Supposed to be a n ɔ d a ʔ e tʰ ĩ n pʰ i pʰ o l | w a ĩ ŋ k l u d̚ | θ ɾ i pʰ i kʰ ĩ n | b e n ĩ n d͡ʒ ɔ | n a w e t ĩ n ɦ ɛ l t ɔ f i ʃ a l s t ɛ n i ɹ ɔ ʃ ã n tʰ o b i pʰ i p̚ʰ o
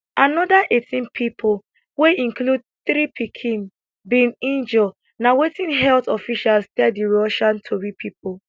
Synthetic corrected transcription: a n ɔ d a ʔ e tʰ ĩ n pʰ i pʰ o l | w e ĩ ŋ k l u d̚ | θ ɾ i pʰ i kʰ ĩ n | b i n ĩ n d͡ʒ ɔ | n a w e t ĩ n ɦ ɛ l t ɔ f i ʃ a l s t ɛ d i ɹ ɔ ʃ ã n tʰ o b i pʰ i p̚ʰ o